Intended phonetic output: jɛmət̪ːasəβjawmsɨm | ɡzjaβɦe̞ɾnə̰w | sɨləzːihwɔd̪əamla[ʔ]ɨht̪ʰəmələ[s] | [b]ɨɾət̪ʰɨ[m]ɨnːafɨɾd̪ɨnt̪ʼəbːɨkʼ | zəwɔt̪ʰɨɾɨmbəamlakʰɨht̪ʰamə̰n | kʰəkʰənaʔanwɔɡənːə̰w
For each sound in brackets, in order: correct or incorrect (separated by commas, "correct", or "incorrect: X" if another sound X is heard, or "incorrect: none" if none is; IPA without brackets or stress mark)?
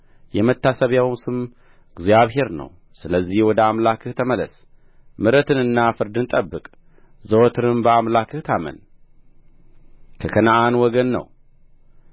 incorrect: k, correct, incorrect: m, incorrect: n